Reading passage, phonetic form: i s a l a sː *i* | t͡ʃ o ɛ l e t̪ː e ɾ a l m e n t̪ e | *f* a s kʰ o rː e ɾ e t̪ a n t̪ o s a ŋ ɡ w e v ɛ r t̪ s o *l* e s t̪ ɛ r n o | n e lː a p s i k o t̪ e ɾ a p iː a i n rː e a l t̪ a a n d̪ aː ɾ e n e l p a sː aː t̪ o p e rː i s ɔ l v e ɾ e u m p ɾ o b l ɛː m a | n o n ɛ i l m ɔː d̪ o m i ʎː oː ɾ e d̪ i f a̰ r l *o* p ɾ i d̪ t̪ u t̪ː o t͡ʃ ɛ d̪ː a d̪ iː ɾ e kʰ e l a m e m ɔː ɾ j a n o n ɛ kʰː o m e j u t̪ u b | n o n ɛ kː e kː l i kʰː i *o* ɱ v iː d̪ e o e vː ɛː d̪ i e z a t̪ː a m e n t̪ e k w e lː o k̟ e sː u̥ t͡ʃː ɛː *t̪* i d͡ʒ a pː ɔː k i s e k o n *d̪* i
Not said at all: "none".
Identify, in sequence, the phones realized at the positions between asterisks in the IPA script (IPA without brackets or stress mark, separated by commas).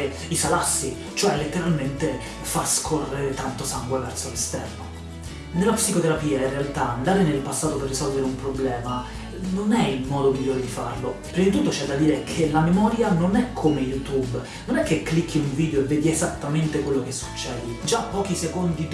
i, f, l, o, u, d̪, d̪